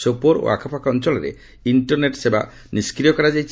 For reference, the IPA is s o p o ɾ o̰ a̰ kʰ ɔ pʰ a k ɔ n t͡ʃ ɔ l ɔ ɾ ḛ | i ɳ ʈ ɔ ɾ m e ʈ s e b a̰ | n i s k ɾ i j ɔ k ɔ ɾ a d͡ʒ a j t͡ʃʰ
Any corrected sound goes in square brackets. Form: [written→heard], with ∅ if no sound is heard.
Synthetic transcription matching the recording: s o p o ɾ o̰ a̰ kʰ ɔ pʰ a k ɔ n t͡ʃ ɔ l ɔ ɾ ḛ | i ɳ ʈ ɔ ɾ [m→n] e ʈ s e b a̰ | n i s k ɾ i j ɔ k ɔ ɾ a d͡ʒ a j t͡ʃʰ